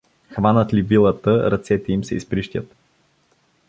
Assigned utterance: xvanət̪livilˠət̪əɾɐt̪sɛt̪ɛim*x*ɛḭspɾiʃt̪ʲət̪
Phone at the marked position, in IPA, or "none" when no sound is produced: s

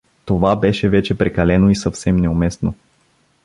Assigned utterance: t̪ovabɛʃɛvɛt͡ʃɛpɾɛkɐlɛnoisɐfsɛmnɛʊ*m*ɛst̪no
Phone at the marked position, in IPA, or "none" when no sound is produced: m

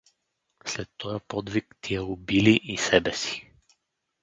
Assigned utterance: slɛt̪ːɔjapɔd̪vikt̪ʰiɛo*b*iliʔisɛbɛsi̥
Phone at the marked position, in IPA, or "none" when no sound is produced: b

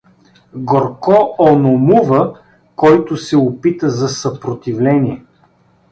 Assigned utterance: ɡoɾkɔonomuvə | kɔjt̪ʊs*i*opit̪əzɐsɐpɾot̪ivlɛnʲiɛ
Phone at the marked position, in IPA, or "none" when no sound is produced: ɛ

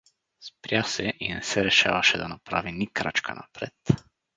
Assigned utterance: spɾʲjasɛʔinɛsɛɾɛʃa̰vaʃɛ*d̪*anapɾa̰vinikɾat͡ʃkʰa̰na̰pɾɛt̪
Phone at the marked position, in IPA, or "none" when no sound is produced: d̪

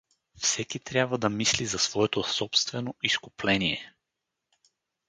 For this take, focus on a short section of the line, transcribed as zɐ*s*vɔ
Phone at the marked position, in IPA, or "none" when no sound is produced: s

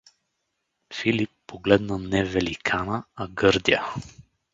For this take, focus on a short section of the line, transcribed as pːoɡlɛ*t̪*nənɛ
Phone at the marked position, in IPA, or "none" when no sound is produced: d̪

